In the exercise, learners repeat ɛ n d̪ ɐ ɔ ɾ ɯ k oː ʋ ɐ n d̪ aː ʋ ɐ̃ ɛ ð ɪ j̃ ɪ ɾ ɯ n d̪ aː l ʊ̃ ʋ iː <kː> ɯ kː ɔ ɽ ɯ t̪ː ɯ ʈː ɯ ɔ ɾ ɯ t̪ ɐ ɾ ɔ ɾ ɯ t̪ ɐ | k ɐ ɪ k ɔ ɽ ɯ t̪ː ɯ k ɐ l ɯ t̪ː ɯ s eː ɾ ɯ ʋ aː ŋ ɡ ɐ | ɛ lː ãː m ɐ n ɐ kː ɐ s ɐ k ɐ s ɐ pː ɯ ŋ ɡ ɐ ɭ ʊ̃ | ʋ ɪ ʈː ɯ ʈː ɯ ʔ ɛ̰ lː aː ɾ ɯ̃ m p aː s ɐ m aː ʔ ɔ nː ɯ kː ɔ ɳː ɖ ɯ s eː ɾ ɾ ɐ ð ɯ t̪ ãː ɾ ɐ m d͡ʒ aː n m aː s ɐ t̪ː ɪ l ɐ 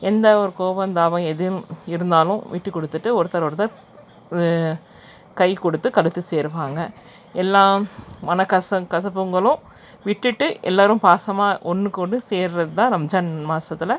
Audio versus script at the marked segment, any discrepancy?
yes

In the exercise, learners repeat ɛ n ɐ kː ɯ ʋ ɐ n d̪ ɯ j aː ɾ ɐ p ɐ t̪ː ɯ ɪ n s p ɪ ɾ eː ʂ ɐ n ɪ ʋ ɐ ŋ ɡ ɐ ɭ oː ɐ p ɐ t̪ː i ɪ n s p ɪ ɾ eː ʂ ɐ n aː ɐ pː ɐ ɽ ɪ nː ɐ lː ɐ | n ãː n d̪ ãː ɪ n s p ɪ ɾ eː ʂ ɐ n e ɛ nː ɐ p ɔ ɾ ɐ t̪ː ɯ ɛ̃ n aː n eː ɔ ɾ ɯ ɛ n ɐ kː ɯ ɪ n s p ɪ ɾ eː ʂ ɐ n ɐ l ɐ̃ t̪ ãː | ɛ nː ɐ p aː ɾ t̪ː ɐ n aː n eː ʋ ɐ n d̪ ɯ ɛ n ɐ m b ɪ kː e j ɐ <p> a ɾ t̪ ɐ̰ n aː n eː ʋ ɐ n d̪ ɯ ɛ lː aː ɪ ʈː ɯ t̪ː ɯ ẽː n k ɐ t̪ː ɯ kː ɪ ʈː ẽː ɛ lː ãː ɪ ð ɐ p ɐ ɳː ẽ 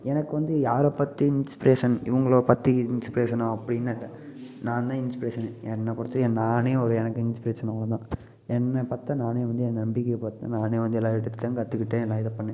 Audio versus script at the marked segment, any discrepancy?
no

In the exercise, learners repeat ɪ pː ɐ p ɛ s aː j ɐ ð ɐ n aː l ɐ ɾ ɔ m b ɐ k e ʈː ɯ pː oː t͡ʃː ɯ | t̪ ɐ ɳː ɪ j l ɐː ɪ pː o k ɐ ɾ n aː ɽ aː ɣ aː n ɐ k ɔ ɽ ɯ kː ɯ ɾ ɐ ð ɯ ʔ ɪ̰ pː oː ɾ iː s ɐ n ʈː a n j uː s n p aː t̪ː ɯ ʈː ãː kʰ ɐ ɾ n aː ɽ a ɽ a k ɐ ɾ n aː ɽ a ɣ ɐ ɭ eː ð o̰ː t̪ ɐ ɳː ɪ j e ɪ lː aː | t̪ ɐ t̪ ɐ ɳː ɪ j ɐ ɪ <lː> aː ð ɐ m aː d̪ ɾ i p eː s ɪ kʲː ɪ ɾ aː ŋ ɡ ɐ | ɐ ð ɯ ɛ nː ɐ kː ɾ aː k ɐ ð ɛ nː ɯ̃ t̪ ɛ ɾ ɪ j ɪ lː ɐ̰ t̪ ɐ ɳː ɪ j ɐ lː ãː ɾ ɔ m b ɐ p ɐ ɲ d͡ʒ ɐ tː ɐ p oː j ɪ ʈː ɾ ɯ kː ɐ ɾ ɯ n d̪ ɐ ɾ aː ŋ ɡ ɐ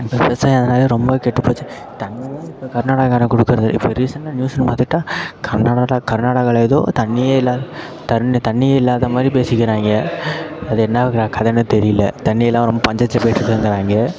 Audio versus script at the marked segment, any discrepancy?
no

